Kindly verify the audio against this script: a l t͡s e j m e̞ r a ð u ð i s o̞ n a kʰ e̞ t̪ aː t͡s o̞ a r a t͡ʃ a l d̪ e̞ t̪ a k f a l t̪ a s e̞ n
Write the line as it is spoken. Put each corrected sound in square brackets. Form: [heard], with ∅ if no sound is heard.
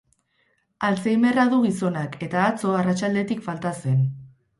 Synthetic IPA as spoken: a l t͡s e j m e̞ r a ð u [ɣ] i s o̞ n a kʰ e̞ t̪ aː t͡s o̞ a r a t͡ʃ a l d̪ e̞ t̪ [i] k f a l t̪ a s e̞ n